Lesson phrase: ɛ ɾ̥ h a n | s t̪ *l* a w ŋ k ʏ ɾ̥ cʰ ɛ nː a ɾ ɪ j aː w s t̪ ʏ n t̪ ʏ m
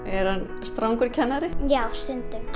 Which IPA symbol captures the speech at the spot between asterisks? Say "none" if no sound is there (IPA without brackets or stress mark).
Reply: ɾ